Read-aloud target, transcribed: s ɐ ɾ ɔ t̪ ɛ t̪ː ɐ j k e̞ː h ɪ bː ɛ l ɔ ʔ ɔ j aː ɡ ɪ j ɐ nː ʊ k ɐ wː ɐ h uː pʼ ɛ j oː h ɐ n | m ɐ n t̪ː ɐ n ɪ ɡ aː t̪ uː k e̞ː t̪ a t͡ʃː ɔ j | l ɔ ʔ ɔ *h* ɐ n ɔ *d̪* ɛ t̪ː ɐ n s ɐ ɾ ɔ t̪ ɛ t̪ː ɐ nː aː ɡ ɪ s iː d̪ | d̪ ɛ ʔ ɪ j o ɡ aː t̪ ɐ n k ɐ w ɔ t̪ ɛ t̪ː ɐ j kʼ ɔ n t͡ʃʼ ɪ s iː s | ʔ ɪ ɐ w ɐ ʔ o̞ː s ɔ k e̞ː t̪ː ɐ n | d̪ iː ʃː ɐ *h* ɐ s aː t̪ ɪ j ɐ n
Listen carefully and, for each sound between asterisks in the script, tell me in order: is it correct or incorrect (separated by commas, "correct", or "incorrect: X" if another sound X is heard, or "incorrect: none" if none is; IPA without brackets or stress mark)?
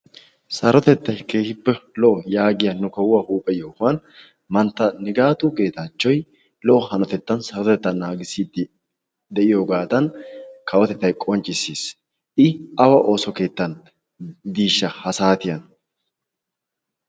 correct, incorrect: t̪, correct